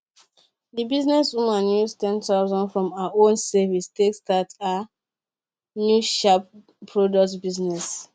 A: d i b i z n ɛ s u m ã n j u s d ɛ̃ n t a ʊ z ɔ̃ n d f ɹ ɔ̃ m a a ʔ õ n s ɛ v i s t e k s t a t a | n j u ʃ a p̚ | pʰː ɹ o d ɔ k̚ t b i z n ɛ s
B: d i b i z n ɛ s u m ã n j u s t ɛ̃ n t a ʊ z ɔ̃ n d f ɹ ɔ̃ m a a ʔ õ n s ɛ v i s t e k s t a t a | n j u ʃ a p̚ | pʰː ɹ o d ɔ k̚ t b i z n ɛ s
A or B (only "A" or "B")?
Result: B